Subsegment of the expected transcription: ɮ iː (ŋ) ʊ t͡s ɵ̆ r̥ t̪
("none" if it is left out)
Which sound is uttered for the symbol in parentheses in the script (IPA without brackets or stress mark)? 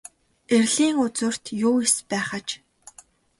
ŋ